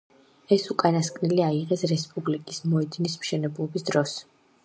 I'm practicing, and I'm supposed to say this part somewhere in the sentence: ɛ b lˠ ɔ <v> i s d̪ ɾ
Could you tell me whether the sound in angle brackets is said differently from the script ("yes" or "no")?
yes